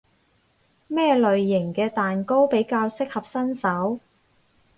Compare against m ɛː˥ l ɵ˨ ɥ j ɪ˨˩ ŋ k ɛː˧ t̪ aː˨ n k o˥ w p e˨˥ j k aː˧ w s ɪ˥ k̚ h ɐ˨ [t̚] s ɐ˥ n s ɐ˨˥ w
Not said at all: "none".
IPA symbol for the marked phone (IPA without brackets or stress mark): p̚